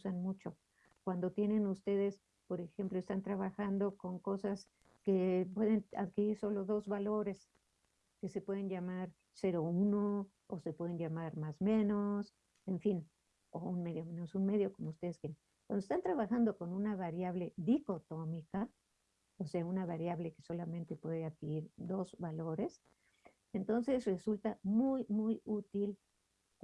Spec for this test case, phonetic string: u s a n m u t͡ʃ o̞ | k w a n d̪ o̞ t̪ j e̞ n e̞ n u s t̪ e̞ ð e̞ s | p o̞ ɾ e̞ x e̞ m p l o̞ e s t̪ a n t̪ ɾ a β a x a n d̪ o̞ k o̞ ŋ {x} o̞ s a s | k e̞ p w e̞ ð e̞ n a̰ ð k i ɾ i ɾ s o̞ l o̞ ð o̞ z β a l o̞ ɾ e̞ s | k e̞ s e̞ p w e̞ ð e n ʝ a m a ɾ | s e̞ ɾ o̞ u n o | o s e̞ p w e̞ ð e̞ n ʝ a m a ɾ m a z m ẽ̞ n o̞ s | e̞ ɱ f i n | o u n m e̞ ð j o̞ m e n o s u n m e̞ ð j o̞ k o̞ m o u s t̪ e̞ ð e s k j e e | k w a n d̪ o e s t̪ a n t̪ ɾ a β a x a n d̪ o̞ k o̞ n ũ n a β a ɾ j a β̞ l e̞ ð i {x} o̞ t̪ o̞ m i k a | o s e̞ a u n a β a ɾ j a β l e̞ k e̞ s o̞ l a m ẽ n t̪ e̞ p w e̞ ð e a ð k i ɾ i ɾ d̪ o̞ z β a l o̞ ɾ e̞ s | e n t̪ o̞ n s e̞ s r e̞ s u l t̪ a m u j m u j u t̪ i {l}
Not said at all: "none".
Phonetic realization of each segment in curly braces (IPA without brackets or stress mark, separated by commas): k, k, l